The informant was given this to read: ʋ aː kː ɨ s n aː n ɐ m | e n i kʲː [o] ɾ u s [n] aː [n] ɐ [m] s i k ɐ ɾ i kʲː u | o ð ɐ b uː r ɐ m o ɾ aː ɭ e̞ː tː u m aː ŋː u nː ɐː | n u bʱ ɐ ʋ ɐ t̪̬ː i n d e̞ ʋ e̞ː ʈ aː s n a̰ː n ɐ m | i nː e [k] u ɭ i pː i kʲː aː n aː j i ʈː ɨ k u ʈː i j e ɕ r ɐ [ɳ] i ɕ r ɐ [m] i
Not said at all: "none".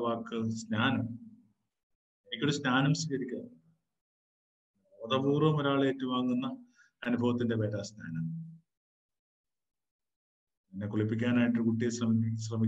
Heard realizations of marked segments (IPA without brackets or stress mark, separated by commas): o, n, n, m, k, m, m